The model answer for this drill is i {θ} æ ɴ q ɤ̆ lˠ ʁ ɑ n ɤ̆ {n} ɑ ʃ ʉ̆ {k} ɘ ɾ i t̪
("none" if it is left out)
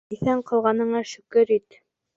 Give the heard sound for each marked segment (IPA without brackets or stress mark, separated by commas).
θ, ɴ, k